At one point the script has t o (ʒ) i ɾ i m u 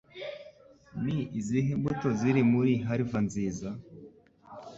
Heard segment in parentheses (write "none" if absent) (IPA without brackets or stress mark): z